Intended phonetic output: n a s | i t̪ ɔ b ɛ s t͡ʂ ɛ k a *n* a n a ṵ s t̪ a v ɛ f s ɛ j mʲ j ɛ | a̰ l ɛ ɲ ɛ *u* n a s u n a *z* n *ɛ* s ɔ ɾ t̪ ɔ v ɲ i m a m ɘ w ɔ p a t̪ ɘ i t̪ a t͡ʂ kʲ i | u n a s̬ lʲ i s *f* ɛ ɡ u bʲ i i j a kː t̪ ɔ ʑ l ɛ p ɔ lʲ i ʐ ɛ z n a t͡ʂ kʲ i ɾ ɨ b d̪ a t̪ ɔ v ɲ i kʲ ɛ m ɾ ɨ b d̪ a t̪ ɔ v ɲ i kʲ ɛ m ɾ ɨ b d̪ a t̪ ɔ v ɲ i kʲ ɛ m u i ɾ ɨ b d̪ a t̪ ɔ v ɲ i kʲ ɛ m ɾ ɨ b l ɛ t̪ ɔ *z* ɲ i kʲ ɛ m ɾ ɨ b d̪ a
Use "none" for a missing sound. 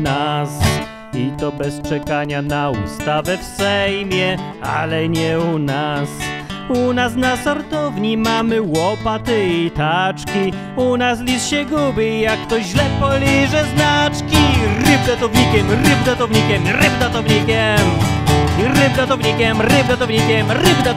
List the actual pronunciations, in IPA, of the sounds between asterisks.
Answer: ɲ, u, s, a, ɕ, v

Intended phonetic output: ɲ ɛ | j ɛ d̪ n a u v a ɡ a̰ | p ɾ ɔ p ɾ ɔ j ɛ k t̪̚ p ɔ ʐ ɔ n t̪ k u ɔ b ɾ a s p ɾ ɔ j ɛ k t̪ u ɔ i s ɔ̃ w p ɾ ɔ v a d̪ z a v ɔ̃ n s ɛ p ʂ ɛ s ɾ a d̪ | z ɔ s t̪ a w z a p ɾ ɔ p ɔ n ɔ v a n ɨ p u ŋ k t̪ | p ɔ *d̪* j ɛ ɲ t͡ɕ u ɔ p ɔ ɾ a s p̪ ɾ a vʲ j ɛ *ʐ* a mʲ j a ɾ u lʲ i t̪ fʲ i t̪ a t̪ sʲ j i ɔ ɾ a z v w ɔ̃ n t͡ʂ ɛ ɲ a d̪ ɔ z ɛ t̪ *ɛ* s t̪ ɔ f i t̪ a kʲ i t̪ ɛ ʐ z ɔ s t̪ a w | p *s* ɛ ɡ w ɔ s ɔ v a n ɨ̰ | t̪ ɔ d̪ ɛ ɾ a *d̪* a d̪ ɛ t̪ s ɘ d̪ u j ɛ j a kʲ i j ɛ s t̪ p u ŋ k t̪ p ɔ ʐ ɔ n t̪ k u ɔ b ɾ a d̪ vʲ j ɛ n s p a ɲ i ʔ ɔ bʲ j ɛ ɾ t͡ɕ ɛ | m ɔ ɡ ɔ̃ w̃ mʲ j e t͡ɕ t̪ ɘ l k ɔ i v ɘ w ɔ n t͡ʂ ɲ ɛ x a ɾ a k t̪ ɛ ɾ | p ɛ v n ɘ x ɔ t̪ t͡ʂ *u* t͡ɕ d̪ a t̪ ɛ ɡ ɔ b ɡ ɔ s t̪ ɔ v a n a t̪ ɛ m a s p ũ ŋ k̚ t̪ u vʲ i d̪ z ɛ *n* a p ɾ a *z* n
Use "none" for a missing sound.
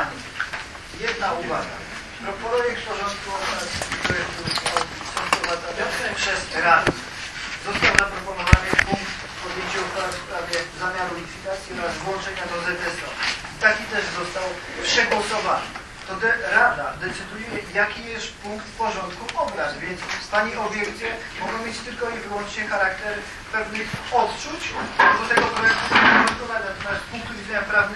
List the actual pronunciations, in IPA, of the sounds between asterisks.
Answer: d̪, z, ɛ, ʂ, d̪, u, ɲ, v

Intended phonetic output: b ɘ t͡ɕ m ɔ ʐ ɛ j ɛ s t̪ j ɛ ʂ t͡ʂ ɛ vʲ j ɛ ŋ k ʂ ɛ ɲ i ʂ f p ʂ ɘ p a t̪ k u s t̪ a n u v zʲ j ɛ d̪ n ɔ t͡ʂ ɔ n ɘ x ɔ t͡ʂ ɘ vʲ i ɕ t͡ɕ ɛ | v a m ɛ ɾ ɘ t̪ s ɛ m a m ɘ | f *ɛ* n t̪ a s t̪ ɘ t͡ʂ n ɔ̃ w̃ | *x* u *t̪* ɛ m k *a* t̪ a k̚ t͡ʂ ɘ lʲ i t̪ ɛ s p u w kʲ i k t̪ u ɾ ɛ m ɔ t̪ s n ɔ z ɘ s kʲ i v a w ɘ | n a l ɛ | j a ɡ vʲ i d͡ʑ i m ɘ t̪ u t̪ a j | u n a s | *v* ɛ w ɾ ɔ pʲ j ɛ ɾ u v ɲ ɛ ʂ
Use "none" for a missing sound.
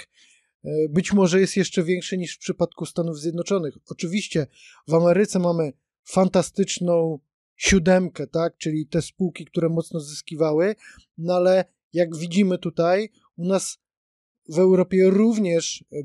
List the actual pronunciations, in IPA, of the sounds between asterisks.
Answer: a, ɕ, d̪, ɛ, v

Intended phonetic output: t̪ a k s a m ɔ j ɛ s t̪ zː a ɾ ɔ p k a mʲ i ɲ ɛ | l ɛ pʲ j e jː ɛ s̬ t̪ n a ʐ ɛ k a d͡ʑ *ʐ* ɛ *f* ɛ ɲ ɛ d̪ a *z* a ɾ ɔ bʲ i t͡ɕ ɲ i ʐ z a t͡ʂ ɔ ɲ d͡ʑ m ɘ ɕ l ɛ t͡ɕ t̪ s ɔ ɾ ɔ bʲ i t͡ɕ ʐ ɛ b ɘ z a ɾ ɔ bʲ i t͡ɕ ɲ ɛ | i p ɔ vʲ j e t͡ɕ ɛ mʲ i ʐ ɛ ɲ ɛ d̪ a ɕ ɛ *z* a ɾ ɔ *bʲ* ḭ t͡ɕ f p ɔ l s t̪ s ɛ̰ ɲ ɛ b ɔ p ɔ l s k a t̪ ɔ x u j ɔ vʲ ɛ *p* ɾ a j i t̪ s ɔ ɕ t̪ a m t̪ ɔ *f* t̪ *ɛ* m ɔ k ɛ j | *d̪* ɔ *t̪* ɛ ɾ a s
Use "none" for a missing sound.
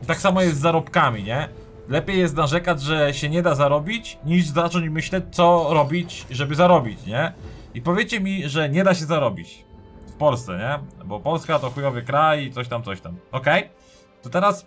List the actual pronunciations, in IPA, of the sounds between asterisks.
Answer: ʐ, ɕ, z, z, bʲ, k, ɕ, a, t̪, t̪

